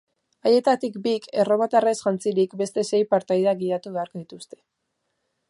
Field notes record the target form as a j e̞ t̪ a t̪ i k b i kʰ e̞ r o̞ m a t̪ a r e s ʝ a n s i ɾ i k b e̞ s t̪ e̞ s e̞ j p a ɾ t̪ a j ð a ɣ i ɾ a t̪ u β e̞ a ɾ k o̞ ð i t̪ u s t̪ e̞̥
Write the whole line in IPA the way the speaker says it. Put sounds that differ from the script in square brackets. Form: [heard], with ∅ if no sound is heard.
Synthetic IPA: a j e̞ t̪ a t̪ i k b i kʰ e̞ r o̞ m a t̪ a r e s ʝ a n [t͡s] i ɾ i k b e̞ s t̪ e̞ s e̞ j p a ɾ t̪ a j ð a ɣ i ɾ a t̪ u β e̞ a ɾ k o̞ ð i t̪ u s t̪ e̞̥